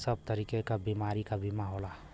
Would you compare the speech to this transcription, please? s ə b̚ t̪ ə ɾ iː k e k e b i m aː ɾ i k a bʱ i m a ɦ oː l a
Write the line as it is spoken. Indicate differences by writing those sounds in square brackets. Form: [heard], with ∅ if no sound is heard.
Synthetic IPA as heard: s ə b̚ t̪ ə ɾ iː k e k [a] b i m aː ɾ i k a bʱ i m a ɦ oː l a